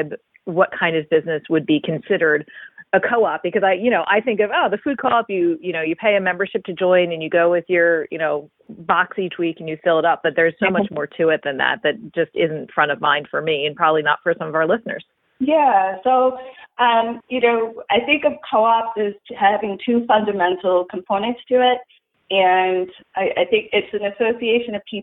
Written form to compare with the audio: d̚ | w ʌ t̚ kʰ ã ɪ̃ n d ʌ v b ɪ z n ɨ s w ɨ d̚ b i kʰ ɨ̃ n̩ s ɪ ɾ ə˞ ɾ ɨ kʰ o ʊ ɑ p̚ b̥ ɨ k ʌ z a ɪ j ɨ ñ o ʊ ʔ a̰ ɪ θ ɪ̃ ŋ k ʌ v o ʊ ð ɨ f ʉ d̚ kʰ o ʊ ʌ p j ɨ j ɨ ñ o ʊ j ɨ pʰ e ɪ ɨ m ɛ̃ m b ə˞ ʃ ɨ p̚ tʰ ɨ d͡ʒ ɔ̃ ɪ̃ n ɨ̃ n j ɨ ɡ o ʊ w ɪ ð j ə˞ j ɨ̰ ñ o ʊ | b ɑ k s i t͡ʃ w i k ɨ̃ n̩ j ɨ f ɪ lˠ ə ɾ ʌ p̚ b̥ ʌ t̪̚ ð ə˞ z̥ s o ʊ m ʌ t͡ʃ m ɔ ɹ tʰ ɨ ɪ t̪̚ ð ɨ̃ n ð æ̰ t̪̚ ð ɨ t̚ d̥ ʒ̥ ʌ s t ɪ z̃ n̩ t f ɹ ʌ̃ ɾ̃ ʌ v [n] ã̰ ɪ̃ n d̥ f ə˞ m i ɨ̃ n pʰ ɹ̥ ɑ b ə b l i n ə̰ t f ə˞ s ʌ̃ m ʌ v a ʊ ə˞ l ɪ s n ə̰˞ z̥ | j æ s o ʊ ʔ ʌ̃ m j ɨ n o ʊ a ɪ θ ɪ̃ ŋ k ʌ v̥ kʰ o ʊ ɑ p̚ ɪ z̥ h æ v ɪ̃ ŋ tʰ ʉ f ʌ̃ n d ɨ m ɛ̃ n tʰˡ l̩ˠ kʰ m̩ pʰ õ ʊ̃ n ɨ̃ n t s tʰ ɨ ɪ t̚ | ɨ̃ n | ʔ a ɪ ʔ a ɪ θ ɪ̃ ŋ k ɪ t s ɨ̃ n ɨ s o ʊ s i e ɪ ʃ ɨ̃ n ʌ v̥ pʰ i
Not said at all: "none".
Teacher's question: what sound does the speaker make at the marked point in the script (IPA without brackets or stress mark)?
m